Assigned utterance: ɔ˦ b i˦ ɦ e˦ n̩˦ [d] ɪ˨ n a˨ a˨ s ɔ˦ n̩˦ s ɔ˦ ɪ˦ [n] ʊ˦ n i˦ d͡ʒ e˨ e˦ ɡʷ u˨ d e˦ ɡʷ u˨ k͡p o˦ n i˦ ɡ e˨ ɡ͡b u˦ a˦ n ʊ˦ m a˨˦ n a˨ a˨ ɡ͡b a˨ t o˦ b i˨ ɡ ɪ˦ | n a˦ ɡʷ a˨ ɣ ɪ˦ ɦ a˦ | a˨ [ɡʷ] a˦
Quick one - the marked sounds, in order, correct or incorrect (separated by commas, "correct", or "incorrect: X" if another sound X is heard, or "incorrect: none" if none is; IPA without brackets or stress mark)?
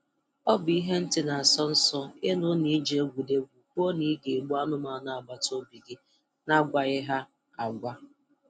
incorrect: t, correct, correct